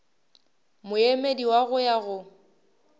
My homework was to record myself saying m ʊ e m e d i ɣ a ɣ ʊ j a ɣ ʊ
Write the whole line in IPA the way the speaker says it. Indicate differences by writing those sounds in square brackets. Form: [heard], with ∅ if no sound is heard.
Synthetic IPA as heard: m ʊ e m e d i [w] a ɣ ʊ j a ɣ ʊ